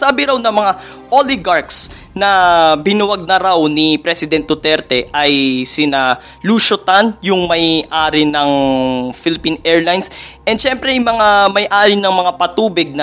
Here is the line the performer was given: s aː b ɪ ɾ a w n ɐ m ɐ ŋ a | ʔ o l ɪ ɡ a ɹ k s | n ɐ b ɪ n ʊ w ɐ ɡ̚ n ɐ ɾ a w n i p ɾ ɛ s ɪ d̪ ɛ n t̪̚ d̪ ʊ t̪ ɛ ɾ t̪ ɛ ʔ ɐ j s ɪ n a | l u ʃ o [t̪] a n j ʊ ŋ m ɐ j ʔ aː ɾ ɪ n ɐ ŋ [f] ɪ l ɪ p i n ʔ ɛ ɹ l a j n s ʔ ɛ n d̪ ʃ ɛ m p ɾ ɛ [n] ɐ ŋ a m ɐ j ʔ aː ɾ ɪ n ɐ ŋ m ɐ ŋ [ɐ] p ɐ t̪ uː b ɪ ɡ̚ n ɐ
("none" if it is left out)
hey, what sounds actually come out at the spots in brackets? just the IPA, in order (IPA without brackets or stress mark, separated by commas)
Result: t̪, f, m, a